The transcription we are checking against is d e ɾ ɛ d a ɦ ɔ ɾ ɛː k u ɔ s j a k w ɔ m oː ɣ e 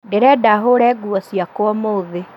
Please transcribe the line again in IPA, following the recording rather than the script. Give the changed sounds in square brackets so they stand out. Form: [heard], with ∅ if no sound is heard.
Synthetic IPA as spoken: d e ɾ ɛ d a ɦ [o] ɾ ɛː [ɡ] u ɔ s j a k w ɔ m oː [ð] e

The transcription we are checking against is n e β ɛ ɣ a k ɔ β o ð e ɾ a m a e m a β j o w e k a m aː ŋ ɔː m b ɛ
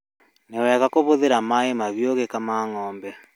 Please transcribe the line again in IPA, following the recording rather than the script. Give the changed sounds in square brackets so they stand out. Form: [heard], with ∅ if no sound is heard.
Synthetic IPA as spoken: n e [w] ɛ ɣ a k [o] β o ð e ɾ a m a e m a β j o [ɣ] e k a m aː ŋ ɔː m b ɛ

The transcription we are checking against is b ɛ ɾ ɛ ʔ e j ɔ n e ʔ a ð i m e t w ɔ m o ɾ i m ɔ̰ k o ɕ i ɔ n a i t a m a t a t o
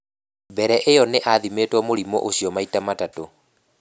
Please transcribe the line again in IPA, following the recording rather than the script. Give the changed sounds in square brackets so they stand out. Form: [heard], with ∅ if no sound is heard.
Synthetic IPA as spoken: b ɛ ɾ ɛ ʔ e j ɔ n e ʔ a ð i m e t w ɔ m o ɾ i m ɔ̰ [ʔ] o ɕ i ɔ [m] a i t a m a t a t o

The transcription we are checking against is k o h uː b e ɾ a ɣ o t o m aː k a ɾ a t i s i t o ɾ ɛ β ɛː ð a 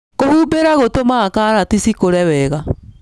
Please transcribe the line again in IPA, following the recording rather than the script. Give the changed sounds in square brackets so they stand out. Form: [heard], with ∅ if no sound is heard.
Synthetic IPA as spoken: k o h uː b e ɾ a ɣ o t o m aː k a ɾ a t i s i [k] o ɾ ɛ [w] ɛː [ɣ] a

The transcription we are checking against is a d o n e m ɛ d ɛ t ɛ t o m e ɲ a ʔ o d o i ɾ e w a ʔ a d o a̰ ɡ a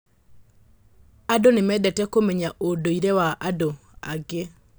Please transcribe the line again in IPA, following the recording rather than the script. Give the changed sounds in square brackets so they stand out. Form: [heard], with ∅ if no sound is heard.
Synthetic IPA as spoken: a d o n e m ɛ d ɛ t ɛ [k] o m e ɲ a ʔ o d o i ɾ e w a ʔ a d o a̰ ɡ [e]

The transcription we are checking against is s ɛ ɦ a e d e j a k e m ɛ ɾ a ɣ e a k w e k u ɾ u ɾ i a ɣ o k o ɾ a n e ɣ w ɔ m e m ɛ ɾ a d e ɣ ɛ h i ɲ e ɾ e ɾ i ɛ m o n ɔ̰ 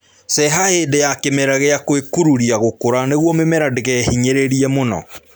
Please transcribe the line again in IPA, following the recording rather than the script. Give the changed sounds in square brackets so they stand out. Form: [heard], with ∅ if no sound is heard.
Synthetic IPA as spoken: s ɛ ɦ a e d e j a k e m ɛ ɾ a ɣ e a k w e k u ɾ u ɾ i a ɣ o k o ɾ a n e ɣ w ɔ m e m ɛ ɾ a d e ɣ ɛ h i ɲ e ɾ e ɾ i ɛ m o n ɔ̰

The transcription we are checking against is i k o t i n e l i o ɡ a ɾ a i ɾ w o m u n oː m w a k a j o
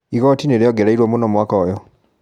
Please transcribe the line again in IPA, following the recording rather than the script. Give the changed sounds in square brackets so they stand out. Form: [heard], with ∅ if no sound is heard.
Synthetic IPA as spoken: i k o t i n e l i o ɡ [e] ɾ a i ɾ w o m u n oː m w a k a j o

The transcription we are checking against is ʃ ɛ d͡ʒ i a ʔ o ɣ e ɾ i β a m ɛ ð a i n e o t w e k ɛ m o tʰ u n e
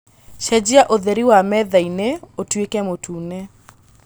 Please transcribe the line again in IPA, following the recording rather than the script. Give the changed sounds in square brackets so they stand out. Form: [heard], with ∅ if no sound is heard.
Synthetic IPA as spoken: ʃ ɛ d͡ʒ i a ʔ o [ð] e ɾ i [w] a m ɛ ð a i n e o t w e k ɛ m o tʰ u n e

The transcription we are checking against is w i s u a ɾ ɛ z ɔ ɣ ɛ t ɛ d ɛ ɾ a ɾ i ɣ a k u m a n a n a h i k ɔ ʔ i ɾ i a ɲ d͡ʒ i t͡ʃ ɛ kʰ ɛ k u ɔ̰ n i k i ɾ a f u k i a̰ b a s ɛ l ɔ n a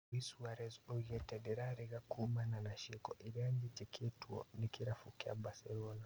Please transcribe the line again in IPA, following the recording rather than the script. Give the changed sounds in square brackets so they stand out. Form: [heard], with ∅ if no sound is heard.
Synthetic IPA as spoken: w i s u a ɾ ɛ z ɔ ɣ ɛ t ɛ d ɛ ɾ a ɾ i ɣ a k u m a n a n a [ʃ] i k ɔ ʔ i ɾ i a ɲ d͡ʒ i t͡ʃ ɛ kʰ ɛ [t] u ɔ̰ n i k i ɾ a f u k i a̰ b a s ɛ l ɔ n a

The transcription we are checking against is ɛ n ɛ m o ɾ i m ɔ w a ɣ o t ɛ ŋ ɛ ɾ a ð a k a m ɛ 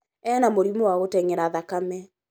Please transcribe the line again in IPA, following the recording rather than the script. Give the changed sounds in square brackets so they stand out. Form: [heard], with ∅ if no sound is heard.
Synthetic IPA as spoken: ɛ n [a] m o ɾ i m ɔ w a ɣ o t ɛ ŋ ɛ ɾ a ð a k a m ɛ

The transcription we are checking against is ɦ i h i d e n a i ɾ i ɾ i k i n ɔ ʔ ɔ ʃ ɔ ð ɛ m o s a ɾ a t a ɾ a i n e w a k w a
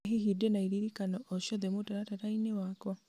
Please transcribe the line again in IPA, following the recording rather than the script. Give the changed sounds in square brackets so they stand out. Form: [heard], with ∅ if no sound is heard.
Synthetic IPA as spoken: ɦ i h i d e n a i ɾ i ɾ i k [a] n ɔ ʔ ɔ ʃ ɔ ð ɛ m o [t] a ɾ a t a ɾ a i n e w a k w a

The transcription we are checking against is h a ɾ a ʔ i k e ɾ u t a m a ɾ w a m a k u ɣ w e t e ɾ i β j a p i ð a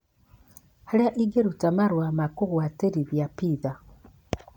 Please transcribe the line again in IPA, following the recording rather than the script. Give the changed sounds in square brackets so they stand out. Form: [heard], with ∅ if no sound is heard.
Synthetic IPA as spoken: h a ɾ a ʔ i [ɡ] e ɾ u t a m a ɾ w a m a k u ɣ w [a] t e ɾ i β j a p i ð a

